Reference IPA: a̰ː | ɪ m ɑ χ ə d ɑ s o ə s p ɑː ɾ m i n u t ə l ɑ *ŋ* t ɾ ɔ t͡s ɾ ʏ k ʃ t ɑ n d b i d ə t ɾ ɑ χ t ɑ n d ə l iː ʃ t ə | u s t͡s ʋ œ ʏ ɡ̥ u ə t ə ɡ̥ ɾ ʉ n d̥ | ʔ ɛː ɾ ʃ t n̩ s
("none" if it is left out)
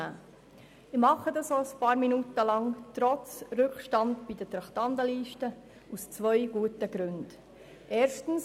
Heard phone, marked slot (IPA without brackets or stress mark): ŋ